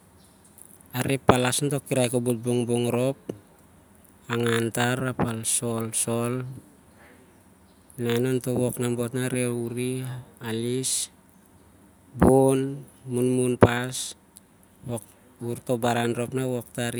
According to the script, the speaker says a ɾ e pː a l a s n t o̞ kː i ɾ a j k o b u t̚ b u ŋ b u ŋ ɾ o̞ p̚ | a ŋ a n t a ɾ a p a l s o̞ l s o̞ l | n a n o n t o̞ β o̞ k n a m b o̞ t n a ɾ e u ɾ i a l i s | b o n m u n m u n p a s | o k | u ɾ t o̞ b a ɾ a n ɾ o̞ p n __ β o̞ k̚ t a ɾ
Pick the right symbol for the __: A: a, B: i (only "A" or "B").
A